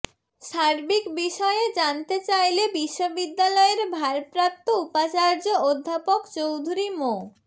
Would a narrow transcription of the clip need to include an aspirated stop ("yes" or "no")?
no